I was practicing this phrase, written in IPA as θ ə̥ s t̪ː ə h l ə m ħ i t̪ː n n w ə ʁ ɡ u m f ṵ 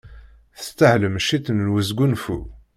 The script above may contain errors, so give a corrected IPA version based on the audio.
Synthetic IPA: θ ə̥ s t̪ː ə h l ə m ʃ i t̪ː n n w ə z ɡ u n f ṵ